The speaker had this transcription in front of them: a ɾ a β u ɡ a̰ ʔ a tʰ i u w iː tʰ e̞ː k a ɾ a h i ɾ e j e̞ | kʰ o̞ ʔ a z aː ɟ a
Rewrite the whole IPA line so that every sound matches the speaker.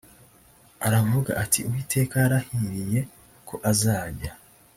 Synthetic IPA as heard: a ɾ a v u ɡ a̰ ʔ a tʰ i u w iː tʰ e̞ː k a ɾ a h i ɾ i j e̞ | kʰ o̞ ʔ a z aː ɟ a

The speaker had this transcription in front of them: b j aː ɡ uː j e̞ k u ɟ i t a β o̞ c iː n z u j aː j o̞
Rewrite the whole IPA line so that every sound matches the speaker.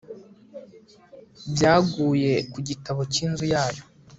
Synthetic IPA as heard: b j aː ɡ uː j e̞ k u ɟ i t a β o̞ c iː n z u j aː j o̞

